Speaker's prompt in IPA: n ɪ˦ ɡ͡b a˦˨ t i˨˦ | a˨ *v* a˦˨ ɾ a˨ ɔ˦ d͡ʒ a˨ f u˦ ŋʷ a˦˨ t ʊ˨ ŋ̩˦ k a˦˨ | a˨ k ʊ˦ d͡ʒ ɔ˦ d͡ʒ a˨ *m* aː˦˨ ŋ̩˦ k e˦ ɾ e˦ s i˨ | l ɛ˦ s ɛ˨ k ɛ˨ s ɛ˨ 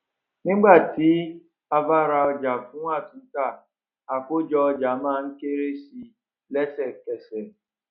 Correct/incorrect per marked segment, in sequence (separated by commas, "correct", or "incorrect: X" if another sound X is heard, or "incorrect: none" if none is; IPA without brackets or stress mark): correct, correct